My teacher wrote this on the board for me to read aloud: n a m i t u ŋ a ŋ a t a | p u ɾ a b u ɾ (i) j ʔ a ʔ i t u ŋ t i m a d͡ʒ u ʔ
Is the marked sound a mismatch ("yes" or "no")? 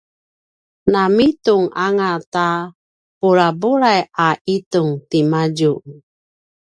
yes